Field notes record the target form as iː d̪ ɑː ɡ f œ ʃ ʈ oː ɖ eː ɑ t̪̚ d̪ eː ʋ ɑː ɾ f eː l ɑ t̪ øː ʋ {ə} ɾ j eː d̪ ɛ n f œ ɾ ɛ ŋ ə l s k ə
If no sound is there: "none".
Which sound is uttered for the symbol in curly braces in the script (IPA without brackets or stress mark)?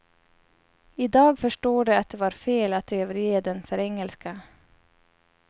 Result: ə